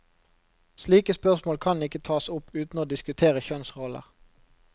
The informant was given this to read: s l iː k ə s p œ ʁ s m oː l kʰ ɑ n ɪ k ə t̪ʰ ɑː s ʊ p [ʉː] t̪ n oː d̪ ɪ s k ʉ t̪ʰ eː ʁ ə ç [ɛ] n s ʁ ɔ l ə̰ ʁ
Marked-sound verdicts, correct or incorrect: correct, incorrect

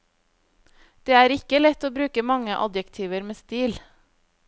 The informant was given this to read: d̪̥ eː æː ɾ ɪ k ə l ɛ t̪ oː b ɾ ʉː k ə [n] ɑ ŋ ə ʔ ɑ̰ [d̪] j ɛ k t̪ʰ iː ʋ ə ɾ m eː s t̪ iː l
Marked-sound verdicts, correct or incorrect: incorrect, correct

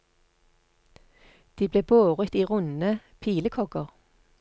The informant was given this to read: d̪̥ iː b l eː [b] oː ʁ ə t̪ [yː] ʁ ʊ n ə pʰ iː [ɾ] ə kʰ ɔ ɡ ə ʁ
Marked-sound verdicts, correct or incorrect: correct, incorrect, incorrect

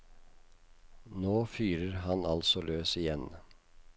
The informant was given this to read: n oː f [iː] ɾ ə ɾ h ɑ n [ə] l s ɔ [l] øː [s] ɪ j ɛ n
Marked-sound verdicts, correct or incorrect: incorrect, incorrect, correct, correct

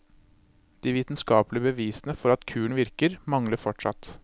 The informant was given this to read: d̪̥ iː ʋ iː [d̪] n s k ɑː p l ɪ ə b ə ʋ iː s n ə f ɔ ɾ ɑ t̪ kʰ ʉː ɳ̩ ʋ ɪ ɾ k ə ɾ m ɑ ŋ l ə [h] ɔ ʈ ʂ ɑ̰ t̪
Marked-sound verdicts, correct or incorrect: incorrect, incorrect

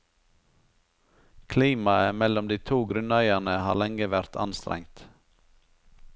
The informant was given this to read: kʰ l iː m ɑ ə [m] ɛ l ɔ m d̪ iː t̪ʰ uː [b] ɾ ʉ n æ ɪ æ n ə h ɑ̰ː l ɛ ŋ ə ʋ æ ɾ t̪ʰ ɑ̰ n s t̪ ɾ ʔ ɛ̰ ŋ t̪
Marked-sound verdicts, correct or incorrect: correct, incorrect

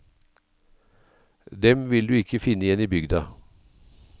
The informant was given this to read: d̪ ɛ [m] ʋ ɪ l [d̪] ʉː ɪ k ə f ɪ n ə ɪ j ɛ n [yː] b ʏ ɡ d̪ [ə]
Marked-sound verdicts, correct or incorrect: correct, correct, incorrect, incorrect

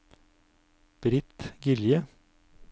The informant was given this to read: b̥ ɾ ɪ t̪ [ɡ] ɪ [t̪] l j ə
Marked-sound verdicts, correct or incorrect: correct, incorrect

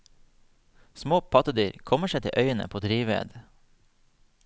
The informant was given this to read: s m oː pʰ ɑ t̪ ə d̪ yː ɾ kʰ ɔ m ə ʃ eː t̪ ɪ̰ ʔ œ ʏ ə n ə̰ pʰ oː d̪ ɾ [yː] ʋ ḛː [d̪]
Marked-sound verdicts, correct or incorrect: incorrect, correct

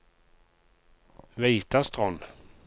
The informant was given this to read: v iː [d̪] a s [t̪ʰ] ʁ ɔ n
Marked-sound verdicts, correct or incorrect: incorrect, incorrect

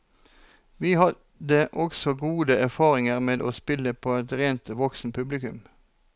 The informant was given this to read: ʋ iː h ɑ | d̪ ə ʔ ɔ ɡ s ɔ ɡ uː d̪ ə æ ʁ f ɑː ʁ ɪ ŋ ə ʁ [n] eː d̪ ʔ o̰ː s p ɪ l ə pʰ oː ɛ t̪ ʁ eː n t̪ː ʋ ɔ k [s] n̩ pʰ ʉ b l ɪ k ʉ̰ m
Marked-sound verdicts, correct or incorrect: incorrect, correct

